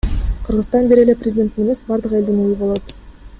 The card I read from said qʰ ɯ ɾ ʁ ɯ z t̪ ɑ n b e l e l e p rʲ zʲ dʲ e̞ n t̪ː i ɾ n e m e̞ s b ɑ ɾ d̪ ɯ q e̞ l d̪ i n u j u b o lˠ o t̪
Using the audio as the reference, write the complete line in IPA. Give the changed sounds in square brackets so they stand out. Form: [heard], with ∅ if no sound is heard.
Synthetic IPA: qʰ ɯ ɾ ʁ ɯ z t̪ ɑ n b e [ɾ] e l e p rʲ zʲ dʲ e̞ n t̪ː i [∅] n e m e̞ s b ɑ ɾ d̪ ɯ q e̞ l d̪ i n u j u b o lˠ o t̪

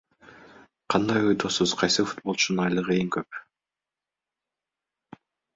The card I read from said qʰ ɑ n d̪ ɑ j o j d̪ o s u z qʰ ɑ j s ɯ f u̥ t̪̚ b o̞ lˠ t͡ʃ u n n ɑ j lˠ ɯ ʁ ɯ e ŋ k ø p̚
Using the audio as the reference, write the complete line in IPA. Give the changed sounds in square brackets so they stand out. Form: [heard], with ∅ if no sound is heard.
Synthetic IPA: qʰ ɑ n d̪ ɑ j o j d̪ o s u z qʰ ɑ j s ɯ f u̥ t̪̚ b o̞ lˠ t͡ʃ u n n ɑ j lˠ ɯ ʁ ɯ e ŋ k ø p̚

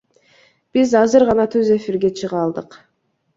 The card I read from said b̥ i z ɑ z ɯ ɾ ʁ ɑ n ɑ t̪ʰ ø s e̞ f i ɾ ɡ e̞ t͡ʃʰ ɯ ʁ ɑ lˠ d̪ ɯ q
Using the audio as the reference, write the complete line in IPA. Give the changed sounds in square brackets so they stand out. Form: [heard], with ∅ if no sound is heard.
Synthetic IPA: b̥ i z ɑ z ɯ ɾ ʁ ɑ n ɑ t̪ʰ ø [z] e̞ f i ɾ ɡ e̞ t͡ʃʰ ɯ ʁ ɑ lˠ d̪ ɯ q

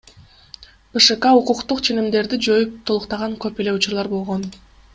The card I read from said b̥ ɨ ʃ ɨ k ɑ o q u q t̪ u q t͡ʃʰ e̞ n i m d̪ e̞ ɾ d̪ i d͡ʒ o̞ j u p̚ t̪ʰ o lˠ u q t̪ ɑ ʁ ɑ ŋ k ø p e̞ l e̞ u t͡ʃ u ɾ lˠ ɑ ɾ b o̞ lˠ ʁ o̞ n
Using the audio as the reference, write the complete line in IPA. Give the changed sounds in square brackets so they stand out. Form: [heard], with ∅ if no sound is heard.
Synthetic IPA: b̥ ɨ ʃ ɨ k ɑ [u] q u q t̪ u q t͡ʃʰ e̞ n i m d̪ e̞ ɾ d̪ i d͡ʒ o̞ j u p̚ t̪ʰ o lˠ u q t̪ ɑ ʁ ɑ ŋ k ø p e̞ l e̞ u t͡ʃ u ɾ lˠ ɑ ɾ b o̞ lˠ ʁ o̞ n

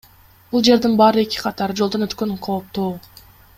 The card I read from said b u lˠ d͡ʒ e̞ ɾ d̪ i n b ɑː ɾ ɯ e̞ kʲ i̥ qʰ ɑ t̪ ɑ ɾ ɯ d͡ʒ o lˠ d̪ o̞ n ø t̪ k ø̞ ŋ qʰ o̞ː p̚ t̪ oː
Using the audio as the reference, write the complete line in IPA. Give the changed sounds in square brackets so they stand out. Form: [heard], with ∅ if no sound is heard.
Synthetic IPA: b u lˠ d͡ʒ e̞ ɾ d̪ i n b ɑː ɾ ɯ e̞ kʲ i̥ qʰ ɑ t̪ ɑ ɾ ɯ d͡ʒ o lˠ d̪ o̞ n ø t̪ k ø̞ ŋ qʰ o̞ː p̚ t̪ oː

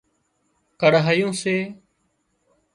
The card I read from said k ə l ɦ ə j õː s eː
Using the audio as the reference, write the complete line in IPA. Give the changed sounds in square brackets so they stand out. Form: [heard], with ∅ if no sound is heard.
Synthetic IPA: k ə [ɽ] ɦ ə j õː s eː

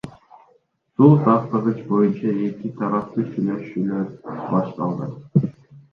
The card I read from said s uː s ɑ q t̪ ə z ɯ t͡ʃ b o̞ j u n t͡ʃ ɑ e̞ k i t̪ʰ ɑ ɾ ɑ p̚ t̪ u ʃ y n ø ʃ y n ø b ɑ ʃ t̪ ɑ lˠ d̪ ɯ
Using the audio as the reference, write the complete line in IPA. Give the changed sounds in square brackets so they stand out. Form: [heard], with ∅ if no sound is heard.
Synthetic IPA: s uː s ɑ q t̪ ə [ʁ] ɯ t͡ʃ b o̞ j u n t͡ʃ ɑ e̞ k i t̪ʰ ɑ ɾ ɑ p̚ t̪ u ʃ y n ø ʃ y n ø b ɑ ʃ t̪ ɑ lˠ d̪ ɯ

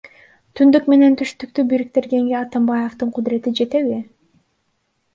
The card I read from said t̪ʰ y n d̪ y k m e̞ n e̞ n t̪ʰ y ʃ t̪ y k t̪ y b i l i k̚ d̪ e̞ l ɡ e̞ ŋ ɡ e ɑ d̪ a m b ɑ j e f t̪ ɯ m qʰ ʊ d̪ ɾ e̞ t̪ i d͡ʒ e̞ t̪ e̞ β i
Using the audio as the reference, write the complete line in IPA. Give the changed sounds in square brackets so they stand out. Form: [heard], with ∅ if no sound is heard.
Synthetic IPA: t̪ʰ y n d̪ y k m e̞ n e̞ n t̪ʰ y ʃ t̪ y k t̪ y b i [ɾ] i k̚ [t̪] e̞ [ɾ] ɡ e̞ ŋ ɡ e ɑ [t̪] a m b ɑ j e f t̪ ɯ [ɴ] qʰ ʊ d̪ ɾ e̞ t̪ i d͡ʒ e̞ t̪ e̞ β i

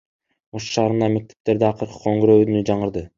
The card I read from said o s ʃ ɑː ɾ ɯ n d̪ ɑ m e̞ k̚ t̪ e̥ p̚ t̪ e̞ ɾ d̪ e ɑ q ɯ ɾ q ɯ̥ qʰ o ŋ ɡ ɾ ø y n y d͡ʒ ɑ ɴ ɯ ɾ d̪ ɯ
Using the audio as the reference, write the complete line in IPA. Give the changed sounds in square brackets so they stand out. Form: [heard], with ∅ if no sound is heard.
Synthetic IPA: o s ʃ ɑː ɾ ɯ n d̪ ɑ m e̞ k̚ t̪ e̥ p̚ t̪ e̞ ɾ d̪ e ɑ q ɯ ɾ q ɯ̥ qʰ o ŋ ɡ ɾ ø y n y d͡ʒ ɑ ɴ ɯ ɾ d̪ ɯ

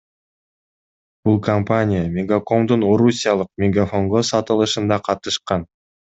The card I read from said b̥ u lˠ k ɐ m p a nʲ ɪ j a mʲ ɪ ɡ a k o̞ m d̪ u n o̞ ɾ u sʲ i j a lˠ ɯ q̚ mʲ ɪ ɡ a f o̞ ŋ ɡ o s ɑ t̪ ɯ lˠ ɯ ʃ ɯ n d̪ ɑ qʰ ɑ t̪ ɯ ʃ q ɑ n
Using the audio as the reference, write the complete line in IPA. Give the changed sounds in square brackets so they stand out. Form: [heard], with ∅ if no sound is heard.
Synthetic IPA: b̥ u lˠ k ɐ m p a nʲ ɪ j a mʲ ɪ ɡ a k o̞ m d̪ u n o̞ ɾ u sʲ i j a lˠ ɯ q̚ mʲ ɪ ɡ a f o̞ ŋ ɡ o s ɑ t̪ ɯ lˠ ɯ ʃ ɯ n d̪ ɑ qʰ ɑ t̪ ɯ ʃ q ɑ n

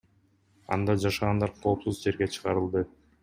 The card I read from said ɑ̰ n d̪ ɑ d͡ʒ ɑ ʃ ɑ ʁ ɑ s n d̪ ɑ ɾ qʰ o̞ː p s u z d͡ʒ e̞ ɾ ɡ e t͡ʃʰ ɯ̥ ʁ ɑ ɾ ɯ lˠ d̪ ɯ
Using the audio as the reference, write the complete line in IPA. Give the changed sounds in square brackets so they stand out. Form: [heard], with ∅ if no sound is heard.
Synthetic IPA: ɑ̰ n d̪ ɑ d͡ʒ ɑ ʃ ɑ ʁ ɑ [∅] n d̪ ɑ ɾ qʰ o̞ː p s u z d͡ʒ e̞ ɾ ɡ e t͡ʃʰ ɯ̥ ʁ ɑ ɾ ɯ lˠ d̪ ɯ

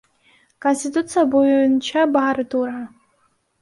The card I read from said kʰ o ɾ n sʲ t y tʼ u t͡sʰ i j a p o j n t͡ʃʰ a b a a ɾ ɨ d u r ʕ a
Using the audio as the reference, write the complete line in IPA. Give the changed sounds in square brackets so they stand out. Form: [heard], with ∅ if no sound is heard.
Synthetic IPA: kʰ o [∅] n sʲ t [i] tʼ u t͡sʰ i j a [b] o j n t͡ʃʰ a b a a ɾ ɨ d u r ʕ a

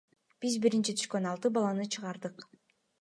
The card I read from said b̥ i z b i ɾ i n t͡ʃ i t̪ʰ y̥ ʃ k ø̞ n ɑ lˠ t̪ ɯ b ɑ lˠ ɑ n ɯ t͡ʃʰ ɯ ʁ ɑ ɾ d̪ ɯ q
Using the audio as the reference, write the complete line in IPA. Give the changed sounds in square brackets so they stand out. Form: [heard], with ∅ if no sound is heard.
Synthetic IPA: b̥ i z b i ɾ i n t͡ʃ i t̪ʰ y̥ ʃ k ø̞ n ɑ lˠ t̪ ɯ b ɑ lˠ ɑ n ɯ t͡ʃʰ ɯ ʁ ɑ ɾ d̪ ɯ q

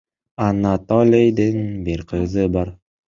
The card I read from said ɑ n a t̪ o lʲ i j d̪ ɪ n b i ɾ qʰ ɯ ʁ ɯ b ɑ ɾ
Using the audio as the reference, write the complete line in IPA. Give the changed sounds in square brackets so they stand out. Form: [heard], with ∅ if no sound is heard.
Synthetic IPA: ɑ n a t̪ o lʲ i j d̪ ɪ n b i ɾ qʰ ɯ [z] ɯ b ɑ ɾ

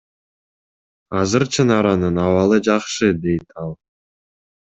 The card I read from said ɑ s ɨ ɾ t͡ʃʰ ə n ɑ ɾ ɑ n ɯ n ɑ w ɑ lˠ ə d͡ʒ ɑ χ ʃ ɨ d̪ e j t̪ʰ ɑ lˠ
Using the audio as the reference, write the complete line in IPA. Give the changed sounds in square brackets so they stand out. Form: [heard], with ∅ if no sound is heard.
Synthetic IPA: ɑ [z] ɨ ɾ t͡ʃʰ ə n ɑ ɾ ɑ n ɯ n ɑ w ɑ lˠ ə d͡ʒ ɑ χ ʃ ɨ d̪ e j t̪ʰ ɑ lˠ

